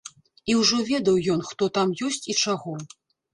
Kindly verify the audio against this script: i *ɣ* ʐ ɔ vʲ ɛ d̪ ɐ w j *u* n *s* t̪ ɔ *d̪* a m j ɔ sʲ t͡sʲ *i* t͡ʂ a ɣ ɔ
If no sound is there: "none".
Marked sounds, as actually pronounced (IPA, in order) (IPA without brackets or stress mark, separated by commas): w, ɔ, x, t̪, i